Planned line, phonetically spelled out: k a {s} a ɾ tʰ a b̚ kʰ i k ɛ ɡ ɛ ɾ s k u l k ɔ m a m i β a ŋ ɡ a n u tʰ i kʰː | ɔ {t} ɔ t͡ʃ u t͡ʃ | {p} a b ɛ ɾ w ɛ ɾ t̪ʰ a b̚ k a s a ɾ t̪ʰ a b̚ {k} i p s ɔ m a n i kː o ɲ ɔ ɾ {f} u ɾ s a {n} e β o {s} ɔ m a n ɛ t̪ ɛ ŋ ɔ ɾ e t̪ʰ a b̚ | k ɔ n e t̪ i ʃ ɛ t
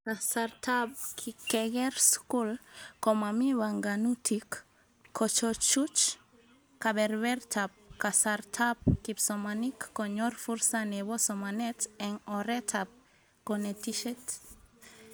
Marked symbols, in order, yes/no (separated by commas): yes, no, no, yes, yes, yes, yes